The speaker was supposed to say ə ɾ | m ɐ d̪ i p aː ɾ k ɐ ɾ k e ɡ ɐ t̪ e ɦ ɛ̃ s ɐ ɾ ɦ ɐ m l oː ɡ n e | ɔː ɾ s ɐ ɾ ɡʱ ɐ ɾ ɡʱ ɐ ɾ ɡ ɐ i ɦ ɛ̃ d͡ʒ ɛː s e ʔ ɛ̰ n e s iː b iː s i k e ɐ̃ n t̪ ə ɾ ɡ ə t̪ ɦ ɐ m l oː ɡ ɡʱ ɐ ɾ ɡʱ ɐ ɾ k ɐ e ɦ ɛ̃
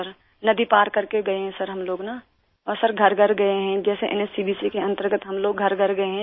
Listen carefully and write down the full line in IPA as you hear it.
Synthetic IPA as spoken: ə ɾ | n ɐ d̪ i p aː ɾ k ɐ ɾ k e ɡ ɐ e ɦ ɛ̃ s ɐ ɾ ɦ ɐ m l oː ɡ n a | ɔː ɾ s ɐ ɾ ɡʱ ɐ ɾ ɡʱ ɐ ɾ ɡ ɐ e ɦ ɛ̃ d͡ʒ ɛː s e ʔ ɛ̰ n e s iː b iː s i k e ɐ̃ n t̪ ə ɾ ɡ ə t̪ ɦ ɐ m l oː ɡ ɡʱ ɐ ɾ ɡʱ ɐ ɾ ɡ ɐ e ɦ ɛ̃